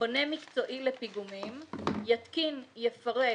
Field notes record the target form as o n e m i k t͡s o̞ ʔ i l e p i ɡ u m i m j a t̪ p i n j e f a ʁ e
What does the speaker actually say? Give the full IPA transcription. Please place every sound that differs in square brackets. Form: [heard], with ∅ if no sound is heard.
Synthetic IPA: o n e m i k t͡s o̞ ʔ i l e p i ɡ u m i m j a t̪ [k] i n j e f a ʁ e